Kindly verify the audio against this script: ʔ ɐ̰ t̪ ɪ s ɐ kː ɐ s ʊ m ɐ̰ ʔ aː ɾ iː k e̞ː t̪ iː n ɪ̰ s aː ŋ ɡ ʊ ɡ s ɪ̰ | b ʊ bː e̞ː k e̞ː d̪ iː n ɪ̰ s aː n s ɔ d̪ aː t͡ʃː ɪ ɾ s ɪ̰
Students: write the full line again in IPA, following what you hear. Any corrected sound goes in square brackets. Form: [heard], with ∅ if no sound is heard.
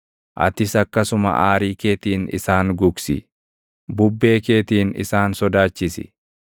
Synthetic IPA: ʔ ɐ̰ t̪ ɪ s ɐ kː ɐ s ʊ m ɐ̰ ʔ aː ɾ iː k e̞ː t̪ iː n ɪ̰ s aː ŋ ɡ ʊ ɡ s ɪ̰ | b ʊ bː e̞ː k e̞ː [t̪] iː n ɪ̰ s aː n s ɔ d̪ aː t͡ʃː ɪ [∅] s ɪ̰